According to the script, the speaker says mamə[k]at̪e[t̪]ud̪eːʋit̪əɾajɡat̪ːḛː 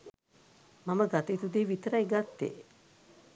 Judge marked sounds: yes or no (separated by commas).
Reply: no, yes